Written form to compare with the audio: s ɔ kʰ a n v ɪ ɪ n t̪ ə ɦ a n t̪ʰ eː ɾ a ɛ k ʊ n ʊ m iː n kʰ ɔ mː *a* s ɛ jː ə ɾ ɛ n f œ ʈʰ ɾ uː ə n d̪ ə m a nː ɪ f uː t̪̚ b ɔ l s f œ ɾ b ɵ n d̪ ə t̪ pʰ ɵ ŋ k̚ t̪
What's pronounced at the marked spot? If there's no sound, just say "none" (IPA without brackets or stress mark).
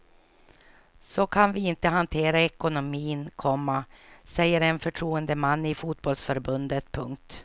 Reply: a